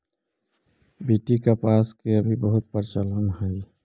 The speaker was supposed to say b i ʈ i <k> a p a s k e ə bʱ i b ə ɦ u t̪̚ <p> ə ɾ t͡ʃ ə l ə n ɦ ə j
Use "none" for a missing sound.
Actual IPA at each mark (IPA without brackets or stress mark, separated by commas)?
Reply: k, p